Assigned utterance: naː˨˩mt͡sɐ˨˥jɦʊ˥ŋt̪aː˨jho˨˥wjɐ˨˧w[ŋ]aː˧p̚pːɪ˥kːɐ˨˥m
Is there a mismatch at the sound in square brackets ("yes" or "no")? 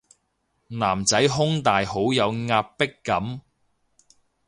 no